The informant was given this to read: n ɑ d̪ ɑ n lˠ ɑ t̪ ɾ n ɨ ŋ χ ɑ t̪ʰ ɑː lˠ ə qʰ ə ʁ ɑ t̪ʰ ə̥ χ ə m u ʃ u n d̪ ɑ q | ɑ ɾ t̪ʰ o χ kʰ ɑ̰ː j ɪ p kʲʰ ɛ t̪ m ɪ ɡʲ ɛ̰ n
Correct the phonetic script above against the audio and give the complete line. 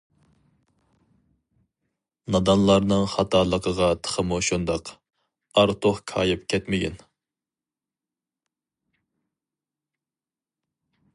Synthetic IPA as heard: n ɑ d̪ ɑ n lˠ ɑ ɾ n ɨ ŋ χ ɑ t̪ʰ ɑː lˠ ə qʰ ə ʁ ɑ t̪ʰ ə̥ χ ə m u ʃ u n d̪ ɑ q | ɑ ɾ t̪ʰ o χ kʰ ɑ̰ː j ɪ p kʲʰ ɛ t̪ m ɪ ɡʲ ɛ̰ n